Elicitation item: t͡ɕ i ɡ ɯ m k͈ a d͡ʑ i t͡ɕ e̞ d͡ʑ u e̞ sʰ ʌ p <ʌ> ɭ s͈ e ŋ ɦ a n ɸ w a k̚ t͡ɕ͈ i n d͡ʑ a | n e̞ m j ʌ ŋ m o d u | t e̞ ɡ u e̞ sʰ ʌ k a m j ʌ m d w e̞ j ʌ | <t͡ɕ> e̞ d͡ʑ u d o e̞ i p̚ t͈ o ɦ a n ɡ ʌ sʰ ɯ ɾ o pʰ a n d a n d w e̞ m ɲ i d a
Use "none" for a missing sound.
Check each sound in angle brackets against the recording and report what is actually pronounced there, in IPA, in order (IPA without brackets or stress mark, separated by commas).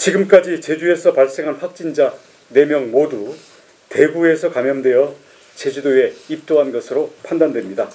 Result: a, t͡ɕ